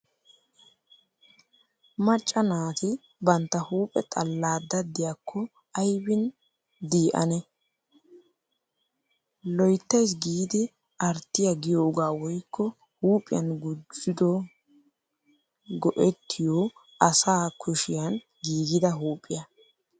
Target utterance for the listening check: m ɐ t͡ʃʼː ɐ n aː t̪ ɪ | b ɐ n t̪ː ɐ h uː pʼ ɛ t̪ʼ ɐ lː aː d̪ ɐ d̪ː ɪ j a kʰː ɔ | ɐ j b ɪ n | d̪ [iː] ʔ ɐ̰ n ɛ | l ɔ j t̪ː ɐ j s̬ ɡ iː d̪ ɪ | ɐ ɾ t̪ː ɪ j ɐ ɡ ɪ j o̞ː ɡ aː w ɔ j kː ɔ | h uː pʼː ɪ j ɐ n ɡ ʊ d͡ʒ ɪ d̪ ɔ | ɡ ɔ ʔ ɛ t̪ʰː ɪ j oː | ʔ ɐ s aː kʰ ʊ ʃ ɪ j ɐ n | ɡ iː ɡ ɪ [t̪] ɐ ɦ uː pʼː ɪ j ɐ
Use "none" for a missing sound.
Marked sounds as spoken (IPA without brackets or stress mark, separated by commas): iː, d̪